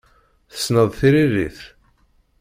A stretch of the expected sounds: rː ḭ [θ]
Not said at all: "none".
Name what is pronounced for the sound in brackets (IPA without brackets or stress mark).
θ